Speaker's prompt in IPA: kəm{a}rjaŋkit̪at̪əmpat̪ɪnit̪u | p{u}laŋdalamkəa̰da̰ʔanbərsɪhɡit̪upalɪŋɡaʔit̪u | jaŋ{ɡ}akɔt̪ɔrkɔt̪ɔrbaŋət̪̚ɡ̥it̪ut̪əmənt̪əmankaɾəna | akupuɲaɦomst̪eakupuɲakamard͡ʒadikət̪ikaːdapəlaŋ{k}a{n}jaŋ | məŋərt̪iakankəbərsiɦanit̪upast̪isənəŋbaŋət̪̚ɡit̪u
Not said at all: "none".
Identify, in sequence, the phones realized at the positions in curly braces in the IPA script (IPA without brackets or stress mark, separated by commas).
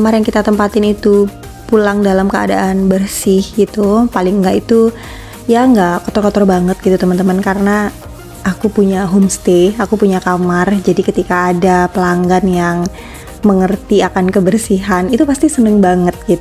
a, u, ɡ, ɡ, n